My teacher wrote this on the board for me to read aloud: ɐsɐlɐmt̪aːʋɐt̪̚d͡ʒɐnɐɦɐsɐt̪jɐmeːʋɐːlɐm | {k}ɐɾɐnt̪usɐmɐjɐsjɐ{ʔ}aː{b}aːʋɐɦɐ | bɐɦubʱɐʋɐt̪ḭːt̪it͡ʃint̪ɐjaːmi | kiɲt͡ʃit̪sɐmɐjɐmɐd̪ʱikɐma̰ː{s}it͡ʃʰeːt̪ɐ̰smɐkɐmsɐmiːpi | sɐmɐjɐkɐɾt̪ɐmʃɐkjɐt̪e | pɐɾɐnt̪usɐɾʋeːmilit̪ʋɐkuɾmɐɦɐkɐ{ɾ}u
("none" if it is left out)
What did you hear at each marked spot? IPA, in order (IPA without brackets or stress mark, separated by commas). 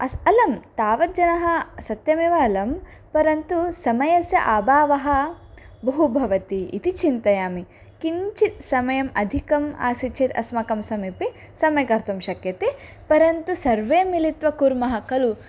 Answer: p, ʔ, b, s, l